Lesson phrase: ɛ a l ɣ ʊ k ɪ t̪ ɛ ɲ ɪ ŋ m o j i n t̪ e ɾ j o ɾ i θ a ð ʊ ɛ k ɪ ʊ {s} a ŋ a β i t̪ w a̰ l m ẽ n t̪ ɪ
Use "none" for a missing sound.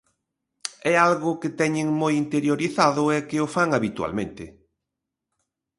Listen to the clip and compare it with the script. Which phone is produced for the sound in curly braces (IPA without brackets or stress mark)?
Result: f